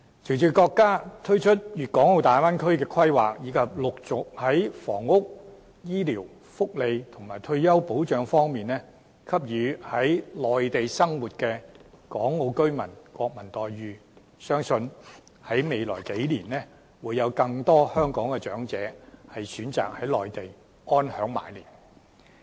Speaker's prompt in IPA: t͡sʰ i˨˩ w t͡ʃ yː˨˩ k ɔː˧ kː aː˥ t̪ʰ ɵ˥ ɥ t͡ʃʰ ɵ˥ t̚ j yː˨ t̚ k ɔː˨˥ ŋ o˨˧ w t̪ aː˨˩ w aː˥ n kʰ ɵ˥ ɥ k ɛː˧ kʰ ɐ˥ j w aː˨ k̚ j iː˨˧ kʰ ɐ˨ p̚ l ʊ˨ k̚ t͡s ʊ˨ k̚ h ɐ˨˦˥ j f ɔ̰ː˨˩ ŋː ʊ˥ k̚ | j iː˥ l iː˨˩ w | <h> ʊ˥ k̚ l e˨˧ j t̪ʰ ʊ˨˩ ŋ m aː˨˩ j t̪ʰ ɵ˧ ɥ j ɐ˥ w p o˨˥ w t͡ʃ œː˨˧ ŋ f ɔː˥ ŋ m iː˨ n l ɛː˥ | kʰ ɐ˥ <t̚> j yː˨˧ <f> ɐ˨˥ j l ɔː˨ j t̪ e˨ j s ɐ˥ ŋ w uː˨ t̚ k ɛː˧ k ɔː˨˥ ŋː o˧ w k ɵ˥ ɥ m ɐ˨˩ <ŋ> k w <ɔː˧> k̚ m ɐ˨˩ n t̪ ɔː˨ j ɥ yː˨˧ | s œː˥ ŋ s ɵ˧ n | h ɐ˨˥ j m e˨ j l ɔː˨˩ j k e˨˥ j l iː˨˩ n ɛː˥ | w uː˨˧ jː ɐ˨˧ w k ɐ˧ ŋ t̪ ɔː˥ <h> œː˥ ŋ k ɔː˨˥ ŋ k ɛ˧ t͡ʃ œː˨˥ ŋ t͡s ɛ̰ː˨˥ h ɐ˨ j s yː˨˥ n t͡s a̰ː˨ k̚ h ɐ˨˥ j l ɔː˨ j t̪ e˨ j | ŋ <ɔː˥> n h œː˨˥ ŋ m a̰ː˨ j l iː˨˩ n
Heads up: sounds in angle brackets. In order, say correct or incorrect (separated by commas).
incorrect, incorrect, incorrect, incorrect, correct, correct, correct